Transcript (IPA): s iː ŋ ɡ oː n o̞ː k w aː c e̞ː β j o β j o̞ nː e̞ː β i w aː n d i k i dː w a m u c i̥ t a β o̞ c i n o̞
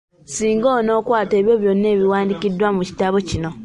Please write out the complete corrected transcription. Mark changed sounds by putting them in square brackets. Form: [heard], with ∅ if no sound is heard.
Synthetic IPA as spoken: s iː ŋ ɡ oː n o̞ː k w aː [t] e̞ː β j o β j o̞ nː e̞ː β i w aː n d i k i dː w a m u c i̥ t a β o̞ c i n o̞